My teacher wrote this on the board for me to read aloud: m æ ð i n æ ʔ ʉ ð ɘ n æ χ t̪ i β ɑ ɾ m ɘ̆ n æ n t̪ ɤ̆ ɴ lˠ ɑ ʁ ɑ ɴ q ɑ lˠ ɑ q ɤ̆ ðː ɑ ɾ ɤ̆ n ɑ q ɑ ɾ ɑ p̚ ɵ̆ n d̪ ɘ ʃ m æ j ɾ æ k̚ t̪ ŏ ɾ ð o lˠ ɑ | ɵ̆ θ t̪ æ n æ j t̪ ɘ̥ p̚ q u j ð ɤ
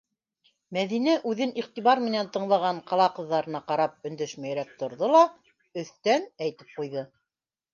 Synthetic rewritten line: m æ ð i n æ ʔ ʉ ð ɘ n i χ t̪ i β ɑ ɾ m ɘ̆ n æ n t̪ ɤ̆ ɴ lˠ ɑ ʁ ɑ ɴ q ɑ lˠ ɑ q ɤ̆ ðː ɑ ɾ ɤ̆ n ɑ q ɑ ɾ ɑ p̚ ɵ̆ n d̪ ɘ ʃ m æ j ɾ æ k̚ t̪ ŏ ɾ ð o lˠ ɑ | ɵ̆ θ t̪ æ n æ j t̪ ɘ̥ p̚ q u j ð ɤ